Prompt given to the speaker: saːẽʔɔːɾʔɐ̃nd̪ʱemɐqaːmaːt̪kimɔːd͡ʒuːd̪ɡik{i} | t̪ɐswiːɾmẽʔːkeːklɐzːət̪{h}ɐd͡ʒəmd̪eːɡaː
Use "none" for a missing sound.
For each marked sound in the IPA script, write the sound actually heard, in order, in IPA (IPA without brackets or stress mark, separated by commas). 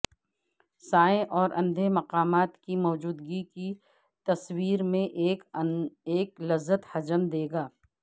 i, h